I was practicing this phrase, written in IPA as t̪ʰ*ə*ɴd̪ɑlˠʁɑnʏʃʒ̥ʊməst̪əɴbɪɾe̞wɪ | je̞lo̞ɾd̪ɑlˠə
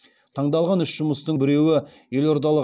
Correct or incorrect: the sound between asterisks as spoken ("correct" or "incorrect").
incorrect